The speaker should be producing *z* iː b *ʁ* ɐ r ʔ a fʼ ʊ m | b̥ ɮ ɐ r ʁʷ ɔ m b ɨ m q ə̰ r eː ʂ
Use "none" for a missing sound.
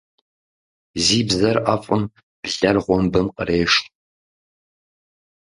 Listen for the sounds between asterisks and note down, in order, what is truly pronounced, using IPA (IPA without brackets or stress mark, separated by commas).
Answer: z, z